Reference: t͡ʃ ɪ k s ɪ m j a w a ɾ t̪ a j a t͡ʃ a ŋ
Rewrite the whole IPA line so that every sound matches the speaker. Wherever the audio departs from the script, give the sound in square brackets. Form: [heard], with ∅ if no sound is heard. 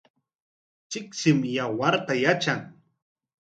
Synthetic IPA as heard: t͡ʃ ɪ k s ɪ m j a w a ɾ t̪ a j a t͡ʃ a ŋ